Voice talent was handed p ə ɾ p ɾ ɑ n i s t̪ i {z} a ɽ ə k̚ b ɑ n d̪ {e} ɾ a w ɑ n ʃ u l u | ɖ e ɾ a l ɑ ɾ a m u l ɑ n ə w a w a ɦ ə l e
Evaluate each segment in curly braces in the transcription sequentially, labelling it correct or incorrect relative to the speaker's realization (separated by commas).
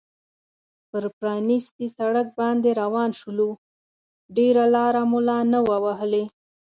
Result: incorrect, correct